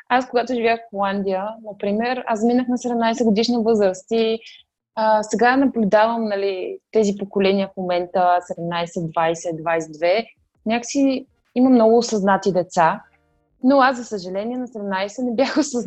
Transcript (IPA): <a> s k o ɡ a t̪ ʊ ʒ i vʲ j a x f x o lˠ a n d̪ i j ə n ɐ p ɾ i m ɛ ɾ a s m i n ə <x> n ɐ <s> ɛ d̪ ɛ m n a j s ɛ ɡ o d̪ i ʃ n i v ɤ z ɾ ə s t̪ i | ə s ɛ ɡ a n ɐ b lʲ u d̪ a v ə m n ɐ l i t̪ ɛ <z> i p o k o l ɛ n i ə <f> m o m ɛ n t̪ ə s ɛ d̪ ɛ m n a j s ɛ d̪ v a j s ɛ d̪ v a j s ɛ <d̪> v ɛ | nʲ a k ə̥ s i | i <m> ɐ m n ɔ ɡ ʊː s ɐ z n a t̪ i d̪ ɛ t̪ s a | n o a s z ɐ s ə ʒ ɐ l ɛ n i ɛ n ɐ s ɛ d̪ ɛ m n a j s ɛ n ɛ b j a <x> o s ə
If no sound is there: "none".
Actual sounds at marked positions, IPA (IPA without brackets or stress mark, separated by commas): a, x, s, z, f, d̪, m, x